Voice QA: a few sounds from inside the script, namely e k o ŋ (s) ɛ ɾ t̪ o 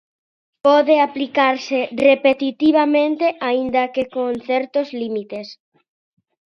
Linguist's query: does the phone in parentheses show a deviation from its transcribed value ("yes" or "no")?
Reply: yes